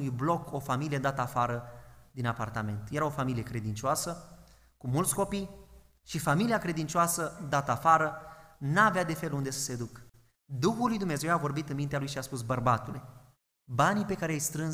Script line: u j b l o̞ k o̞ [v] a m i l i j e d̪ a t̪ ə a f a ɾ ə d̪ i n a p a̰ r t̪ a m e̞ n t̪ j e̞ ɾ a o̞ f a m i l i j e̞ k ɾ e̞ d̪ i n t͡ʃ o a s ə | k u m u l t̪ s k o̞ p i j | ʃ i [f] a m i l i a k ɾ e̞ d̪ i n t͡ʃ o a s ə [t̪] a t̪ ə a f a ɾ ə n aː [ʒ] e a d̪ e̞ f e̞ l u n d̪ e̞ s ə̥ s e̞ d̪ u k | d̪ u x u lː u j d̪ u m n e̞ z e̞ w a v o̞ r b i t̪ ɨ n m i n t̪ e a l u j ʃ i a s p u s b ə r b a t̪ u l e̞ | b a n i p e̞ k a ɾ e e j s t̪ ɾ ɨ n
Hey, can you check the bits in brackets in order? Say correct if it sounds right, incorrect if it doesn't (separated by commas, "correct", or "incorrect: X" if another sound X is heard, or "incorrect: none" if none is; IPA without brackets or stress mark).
incorrect: f, correct, incorrect: d̪, incorrect: v